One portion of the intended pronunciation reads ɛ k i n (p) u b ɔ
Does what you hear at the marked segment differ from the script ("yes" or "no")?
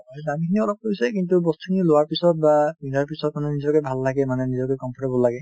yes